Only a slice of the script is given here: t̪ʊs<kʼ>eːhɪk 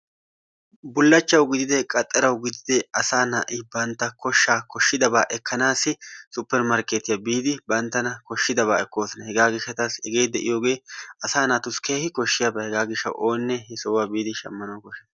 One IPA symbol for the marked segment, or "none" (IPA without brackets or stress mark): k